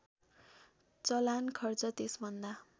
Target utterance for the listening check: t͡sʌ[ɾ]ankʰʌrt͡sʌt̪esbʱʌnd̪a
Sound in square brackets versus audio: incorrect: l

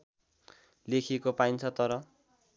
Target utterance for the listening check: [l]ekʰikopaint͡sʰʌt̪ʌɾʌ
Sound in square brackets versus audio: correct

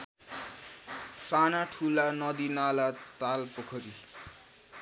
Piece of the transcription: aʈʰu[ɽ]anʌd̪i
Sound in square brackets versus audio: incorrect: l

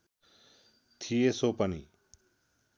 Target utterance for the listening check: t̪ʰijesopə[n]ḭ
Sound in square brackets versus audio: correct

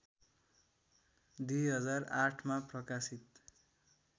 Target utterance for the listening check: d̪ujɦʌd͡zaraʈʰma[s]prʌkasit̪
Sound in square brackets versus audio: incorrect: none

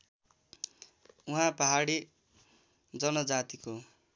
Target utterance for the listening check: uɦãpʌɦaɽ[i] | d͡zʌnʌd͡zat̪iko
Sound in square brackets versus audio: correct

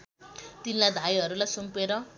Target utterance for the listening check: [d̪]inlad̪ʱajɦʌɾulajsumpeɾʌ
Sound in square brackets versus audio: incorrect: t̪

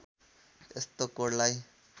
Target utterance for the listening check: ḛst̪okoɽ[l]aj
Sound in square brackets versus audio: correct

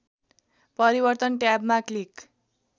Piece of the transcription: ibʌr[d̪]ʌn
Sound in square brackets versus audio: incorrect: t̪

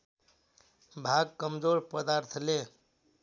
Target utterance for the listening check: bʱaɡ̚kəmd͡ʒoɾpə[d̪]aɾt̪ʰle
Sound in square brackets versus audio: correct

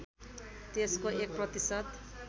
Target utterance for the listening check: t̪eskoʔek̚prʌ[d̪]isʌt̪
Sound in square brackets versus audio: incorrect: t̪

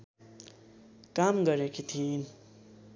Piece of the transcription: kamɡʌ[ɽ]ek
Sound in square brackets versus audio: incorrect: ɾ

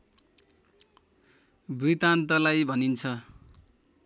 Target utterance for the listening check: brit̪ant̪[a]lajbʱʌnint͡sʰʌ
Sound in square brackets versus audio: incorrect: ʌ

